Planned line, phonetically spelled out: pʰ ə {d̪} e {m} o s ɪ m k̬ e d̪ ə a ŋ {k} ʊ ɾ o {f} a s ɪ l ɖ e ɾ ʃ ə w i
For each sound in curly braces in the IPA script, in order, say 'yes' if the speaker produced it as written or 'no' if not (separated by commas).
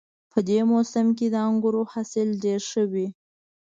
yes, yes, no, no